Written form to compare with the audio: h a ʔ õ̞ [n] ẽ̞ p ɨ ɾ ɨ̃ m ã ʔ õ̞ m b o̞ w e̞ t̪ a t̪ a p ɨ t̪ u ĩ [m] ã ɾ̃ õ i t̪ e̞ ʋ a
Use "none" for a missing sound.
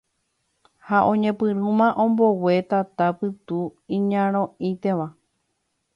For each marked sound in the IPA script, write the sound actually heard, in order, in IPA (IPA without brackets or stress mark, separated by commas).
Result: ɲ, ɲ